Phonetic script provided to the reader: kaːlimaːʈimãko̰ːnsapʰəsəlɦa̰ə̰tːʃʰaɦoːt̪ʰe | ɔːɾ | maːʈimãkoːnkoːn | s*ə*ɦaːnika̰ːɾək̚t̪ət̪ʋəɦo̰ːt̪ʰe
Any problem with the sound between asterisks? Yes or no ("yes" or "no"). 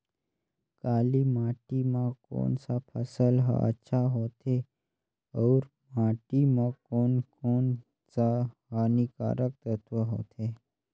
yes